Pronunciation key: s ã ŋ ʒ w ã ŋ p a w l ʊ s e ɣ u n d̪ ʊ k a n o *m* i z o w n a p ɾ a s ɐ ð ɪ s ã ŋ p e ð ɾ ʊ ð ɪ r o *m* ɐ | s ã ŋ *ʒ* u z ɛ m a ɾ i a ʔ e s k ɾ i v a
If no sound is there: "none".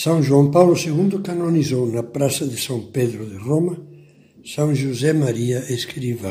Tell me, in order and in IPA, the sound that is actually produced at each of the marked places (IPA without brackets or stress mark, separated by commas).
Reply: n, m, ʒ